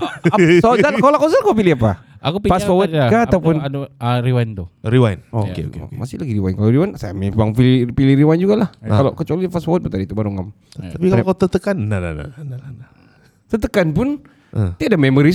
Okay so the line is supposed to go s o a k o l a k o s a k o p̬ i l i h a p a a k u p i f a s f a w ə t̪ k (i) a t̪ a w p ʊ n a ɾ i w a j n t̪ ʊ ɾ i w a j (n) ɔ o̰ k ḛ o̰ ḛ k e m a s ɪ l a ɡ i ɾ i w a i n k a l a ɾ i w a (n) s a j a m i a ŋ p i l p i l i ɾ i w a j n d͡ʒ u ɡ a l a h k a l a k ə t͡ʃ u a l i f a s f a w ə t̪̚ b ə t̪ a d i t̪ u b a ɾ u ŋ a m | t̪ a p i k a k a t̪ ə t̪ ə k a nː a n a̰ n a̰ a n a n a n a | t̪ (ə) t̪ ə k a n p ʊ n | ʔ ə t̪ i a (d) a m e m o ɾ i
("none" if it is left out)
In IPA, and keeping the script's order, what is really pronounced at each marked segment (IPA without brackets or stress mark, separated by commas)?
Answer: a, n, n, ə, d